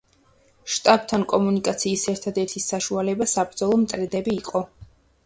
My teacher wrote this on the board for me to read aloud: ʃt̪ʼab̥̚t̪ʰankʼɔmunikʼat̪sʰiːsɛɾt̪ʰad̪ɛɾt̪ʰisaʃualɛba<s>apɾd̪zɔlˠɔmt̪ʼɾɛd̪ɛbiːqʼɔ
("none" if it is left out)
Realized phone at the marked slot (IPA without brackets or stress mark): s